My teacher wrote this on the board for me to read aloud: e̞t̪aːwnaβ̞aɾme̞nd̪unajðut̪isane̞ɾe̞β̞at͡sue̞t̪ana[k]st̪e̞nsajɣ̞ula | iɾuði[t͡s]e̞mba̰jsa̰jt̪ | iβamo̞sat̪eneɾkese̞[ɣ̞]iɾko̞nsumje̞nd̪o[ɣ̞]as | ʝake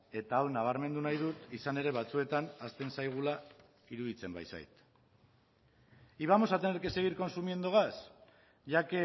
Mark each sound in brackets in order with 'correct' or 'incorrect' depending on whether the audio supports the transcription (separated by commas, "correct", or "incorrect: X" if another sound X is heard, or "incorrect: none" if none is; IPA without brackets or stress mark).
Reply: incorrect: none, correct, correct, correct